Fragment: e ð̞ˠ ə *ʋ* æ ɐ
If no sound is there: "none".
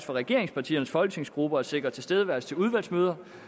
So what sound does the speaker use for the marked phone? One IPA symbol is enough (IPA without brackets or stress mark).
ʋ